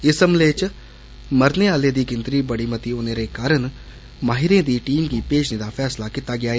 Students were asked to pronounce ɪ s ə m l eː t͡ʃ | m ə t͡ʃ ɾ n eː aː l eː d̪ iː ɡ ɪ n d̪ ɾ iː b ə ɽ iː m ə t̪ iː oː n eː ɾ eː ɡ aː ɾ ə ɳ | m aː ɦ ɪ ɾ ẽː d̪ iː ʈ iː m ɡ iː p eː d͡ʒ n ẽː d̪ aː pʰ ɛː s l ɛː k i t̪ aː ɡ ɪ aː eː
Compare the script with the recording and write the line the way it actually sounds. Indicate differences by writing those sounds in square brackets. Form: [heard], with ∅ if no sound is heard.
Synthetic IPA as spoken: ɪ s ə m l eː t͡ʃ | m ə [∅] ɾ n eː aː l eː d̪ iː ɡ ɪ n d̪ ɾ iː b ə ɽ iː m ə t̪ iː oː n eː ɾ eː [k] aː ɾ ə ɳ | m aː ɦ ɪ ɾ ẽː d̪ iː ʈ iː m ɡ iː p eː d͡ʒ n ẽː d̪ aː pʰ ɛː s l [aː] k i t̪ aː ɡ ɪ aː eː